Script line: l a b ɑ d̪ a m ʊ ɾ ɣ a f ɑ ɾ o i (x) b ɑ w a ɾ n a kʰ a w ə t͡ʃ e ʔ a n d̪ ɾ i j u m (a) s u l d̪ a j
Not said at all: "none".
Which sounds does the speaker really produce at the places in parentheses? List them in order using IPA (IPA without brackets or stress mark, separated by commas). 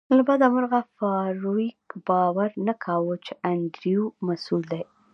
k, a